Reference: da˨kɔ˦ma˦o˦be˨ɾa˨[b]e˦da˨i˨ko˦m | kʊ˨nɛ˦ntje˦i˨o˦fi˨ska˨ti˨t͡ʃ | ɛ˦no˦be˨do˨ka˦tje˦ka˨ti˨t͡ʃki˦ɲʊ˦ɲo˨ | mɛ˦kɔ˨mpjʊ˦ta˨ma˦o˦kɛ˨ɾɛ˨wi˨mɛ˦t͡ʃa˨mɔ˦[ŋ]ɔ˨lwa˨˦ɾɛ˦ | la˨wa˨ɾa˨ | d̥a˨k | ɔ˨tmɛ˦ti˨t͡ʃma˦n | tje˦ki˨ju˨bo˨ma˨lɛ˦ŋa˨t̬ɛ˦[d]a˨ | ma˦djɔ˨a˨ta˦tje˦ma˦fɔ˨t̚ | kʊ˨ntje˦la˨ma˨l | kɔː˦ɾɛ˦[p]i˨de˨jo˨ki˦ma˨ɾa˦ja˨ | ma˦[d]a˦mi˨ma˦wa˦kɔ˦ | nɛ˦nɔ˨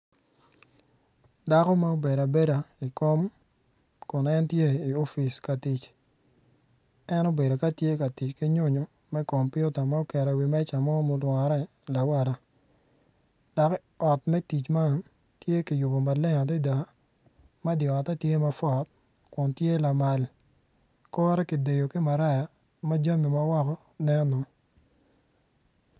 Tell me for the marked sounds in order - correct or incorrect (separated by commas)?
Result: correct, incorrect, correct, incorrect, incorrect